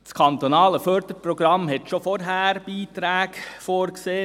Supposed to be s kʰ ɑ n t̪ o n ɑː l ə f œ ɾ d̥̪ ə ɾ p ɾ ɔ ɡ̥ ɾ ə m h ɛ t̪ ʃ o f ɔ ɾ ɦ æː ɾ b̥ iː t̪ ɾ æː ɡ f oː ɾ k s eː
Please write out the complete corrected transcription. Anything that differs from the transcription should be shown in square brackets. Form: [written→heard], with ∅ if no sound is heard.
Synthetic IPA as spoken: s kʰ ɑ n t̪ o n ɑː l ə f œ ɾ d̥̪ ə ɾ p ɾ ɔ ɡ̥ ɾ [ə→ɑ] m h ɛ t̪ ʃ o f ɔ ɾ ɦ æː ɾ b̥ iː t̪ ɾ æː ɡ f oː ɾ k s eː